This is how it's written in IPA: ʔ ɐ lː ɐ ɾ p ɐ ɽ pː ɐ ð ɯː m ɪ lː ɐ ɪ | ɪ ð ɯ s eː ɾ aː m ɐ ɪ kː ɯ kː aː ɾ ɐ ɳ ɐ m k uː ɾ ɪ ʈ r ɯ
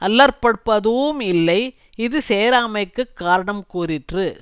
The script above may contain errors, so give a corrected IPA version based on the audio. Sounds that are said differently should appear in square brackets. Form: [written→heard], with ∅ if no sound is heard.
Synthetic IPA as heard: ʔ ɐ lː ɐ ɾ p ɐ ɽ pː ɐ ð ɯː m ɪ lː ɐ ɪ | ɪ ð ɯ s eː ɾ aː m ɐ ɪ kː ɯ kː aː ɾ ɐ ɳ ɐ m k uː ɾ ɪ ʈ r ɯ